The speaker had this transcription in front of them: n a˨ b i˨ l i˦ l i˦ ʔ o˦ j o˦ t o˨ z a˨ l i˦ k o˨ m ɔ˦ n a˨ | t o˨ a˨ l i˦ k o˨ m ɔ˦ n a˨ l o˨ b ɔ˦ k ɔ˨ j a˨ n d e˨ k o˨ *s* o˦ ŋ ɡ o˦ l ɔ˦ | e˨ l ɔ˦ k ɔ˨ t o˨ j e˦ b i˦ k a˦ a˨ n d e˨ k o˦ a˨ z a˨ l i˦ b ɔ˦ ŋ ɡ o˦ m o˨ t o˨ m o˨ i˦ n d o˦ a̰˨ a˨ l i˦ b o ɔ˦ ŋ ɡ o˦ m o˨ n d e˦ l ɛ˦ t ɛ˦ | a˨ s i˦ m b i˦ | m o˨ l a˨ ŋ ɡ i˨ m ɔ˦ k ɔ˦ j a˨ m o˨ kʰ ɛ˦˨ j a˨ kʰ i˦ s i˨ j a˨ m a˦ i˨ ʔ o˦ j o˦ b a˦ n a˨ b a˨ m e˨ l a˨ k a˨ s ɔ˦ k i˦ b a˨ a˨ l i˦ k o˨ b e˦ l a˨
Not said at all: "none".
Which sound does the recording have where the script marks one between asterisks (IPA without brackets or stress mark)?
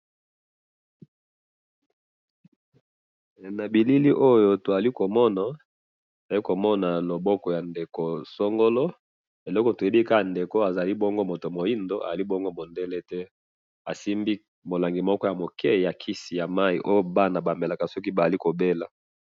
s